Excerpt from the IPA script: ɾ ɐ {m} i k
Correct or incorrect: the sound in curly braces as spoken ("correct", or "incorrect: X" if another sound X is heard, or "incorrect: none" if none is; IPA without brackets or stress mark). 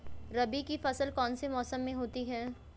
incorrect: b